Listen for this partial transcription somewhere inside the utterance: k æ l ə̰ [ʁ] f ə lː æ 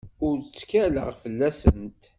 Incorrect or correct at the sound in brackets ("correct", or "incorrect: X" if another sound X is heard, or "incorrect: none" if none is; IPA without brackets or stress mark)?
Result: correct